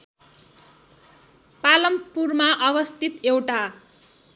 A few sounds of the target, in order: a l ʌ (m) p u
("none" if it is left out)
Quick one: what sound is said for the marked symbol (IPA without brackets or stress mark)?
m